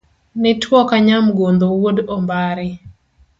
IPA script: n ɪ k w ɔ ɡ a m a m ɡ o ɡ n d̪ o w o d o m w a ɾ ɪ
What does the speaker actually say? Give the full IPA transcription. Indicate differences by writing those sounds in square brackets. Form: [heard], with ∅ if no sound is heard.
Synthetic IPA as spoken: n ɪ [t] w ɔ [k] a [ɲ] a m ɡ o [∅] n d̪ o w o d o m [b] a ɾ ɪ